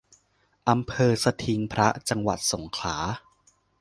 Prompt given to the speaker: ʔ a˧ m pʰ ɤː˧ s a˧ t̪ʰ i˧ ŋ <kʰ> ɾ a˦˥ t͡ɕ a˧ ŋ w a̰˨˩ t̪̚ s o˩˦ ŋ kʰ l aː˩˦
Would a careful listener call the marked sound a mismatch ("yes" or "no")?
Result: yes